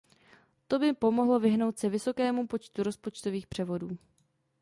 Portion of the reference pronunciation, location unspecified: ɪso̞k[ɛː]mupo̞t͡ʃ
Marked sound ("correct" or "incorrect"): correct